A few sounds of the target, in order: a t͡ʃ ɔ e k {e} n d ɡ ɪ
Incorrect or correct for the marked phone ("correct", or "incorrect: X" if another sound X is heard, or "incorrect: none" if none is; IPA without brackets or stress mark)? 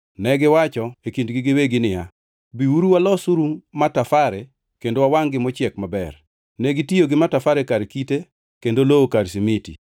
incorrect: i